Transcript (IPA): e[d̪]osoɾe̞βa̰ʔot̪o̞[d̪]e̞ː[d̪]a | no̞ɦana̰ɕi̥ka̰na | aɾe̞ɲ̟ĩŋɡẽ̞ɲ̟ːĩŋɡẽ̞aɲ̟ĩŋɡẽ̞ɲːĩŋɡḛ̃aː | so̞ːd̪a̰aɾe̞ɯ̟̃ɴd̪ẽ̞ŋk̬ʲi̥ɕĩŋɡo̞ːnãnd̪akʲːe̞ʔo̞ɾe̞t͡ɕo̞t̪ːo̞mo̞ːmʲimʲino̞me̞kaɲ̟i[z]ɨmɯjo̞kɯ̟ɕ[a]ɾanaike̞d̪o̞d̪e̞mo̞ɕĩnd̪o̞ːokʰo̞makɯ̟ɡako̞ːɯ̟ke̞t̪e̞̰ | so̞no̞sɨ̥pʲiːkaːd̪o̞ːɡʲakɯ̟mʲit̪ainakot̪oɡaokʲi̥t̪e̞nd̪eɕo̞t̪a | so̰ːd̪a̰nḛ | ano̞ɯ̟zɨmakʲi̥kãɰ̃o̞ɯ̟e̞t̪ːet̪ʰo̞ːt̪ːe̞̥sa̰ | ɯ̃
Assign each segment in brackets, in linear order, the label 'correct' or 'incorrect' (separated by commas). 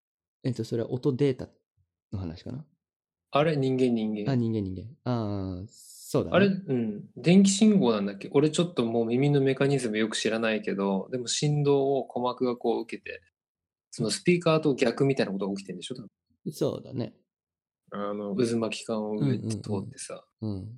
incorrect, correct, incorrect, correct, incorrect